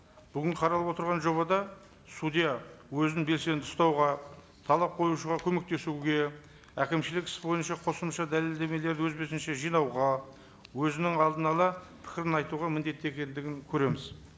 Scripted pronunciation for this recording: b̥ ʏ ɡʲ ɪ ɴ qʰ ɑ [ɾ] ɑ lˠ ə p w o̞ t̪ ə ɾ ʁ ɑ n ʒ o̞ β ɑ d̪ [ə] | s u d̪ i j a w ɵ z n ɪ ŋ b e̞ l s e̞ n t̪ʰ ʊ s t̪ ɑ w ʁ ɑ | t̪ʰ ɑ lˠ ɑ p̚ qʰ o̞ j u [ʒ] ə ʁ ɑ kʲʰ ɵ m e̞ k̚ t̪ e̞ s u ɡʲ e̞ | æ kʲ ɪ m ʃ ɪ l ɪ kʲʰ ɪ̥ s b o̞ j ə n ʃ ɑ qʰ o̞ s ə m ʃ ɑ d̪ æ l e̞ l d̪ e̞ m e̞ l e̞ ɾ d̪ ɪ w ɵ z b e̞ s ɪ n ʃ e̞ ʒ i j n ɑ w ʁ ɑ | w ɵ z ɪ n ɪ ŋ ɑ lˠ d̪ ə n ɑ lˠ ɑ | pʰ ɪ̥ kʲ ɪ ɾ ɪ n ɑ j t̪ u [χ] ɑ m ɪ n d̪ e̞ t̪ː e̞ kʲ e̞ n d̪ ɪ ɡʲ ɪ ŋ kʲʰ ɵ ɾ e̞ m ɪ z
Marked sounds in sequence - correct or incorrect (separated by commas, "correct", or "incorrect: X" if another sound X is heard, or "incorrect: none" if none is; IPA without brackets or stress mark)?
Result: correct, incorrect: ɑ, incorrect: ʃ, incorrect: ʁ